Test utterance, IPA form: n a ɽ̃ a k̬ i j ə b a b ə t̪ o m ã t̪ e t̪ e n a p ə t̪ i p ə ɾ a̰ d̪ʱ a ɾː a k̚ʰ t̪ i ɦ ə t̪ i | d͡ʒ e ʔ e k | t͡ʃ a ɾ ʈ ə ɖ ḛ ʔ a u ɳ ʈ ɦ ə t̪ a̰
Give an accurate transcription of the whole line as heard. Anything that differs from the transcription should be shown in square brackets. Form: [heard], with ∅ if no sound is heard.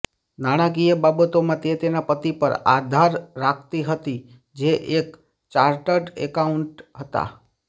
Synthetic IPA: n a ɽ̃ a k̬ i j ə b a b ə t̪ o m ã t̪ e t̪ e n a p ə t̪ i p ə ɾ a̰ d̪ʱ a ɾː a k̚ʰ t̪ i ɦ ə t̪ i | d͡ʒ e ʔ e k | t͡ʃ a ɾ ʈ ə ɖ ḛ [k] a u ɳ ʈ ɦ ə t̪ a̰

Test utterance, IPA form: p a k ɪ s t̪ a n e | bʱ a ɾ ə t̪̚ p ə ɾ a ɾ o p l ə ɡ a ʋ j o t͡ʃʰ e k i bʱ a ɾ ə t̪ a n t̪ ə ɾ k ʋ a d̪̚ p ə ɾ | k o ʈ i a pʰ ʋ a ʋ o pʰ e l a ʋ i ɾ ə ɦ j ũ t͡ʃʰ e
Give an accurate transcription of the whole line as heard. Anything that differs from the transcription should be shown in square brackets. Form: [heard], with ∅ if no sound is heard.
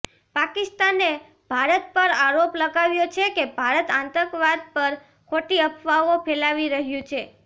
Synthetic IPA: p a k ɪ s t̪ a n e | bʱ a ɾ ə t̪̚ p ə ɾ a ɾ o p l ə ɡ a ʋ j o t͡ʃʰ e k [e] bʱ a ɾ ə t̪ a n t̪ ə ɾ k ʋ a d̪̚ p ə ɾ | [kʰ] o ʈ i [ə] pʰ ʋ a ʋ o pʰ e l a ʋ i ɾ ə ɦ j ũ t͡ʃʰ e

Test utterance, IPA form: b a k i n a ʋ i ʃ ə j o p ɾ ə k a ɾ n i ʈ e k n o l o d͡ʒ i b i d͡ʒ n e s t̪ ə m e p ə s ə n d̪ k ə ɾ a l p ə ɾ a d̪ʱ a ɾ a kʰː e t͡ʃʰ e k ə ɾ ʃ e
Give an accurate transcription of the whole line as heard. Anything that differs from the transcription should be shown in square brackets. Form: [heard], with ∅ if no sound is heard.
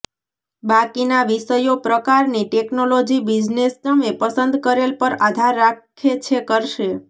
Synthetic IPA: b a k i n a ʋ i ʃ ə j o p ɾ ə k a ɾ n i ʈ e k n o l o d͡ʒ i b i d͡ʒ n e s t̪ ə m e p ə s ə n d̪ k ə ɾ [e] l p ə ɾ a d̪ʱ a [ɾː] a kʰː e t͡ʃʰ e k ə ɾ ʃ e

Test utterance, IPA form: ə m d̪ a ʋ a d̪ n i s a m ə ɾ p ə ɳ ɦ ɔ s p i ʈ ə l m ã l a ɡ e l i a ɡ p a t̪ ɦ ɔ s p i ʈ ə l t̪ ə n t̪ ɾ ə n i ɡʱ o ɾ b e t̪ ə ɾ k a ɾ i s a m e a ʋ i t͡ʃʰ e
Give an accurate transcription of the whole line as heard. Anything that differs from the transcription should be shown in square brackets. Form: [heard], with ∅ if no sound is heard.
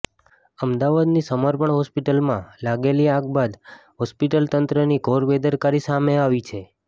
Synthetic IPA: ə m d̪ a ʋ a d̪ n i s [ə] m ə ɾ p ə ɳ ɦ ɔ s p i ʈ ə l m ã l a ɡ e l i a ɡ [b] a [d̪] ɦ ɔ s p i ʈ ə l t̪ ə n t̪ ɾ ə n i ɡʱ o ɾ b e [d̪] ə ɾ k a ɾ i s a m e a ʋ i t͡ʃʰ e

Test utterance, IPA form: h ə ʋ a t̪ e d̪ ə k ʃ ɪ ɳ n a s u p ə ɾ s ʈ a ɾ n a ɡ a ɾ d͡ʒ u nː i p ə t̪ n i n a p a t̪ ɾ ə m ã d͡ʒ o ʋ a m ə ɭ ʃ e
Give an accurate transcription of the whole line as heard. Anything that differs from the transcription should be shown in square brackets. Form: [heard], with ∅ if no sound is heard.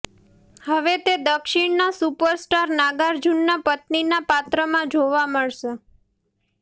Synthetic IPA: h ə ʋ [e] t̪ e d̪ ə k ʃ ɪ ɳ n a s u p ə ɾ s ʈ a ɾ n a ɡ a ɾ d͡ʒ u nː [a] p ə t̪ n i n a p a t̪ ɾ ə m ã d͡ʒ o ʋ a m ə ɭ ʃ e

